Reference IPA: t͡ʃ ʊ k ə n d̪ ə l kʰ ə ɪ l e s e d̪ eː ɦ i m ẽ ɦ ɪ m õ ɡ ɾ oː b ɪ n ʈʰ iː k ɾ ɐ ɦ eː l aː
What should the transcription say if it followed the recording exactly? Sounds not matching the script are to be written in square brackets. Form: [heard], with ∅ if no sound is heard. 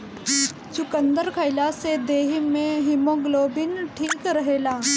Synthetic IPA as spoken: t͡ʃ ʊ k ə n d̪ ə [ɾ] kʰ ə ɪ l [a] s e d̪ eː ɦ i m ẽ ɦ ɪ m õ ɡ [l] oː b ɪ n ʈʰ iː k ɾ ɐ ɦ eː l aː